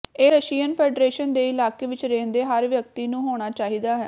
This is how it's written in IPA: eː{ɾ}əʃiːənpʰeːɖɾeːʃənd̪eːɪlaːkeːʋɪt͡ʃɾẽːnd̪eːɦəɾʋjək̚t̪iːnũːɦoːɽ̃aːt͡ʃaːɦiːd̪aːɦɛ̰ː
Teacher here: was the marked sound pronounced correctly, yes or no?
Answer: yes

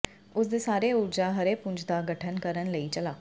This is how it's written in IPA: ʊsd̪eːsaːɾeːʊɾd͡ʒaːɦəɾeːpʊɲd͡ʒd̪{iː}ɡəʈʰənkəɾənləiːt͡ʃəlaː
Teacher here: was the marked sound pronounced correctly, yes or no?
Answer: no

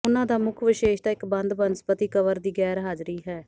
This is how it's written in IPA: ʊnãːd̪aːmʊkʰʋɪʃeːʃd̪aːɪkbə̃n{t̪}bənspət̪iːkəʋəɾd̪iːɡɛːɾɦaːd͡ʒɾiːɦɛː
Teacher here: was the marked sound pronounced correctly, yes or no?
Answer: no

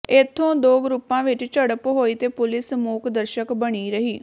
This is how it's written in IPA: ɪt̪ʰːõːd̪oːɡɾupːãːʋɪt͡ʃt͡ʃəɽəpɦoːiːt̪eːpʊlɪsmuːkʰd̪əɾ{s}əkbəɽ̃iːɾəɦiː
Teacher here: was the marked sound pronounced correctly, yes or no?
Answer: no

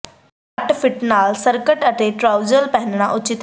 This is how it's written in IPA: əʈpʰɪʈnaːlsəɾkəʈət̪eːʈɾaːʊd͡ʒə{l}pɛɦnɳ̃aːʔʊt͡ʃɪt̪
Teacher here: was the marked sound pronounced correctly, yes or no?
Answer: yes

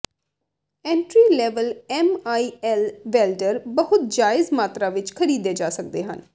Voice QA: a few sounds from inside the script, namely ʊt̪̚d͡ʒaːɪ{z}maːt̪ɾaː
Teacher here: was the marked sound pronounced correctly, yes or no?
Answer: yes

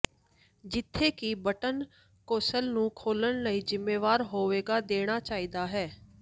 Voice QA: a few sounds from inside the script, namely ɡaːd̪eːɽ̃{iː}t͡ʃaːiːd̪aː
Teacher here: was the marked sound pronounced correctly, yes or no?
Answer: no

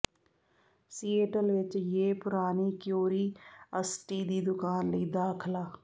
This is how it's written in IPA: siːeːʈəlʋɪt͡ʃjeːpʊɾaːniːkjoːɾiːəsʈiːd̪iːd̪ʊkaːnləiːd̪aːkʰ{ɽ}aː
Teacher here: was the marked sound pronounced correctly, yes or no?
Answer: no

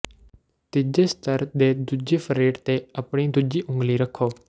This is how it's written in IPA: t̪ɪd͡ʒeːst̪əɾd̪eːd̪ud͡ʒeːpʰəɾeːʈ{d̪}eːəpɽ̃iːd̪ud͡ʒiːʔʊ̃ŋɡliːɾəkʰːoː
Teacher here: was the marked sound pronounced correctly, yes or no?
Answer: no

